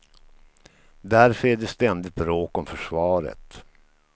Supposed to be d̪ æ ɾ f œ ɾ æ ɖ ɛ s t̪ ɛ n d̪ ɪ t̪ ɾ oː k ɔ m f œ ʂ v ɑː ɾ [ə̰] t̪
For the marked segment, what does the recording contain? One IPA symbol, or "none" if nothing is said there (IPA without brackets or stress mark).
ə̰